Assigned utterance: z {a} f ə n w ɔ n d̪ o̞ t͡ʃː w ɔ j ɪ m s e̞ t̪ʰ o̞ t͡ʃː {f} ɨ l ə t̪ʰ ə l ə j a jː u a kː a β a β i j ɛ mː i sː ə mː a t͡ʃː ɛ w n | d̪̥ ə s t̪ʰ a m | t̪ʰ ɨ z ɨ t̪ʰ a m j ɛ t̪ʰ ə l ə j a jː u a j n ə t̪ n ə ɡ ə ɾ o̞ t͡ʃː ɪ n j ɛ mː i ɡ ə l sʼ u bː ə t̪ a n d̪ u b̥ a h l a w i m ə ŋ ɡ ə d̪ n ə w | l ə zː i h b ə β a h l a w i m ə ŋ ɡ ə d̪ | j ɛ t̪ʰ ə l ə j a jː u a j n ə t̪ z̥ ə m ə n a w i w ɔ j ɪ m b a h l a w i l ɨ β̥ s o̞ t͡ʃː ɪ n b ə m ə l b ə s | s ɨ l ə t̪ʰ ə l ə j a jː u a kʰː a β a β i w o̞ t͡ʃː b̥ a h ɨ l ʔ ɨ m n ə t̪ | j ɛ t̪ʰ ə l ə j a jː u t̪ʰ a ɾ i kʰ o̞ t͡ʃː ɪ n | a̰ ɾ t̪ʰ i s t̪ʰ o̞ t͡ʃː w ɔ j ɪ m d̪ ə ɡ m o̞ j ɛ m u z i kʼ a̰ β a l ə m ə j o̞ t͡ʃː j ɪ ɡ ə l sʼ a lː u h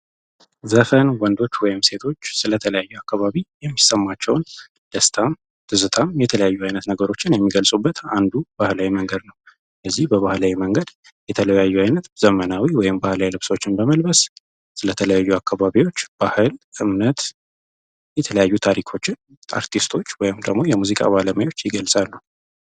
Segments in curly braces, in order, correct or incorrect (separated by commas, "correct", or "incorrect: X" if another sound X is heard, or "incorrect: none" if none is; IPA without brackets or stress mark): incorrect: ə, incorrect: s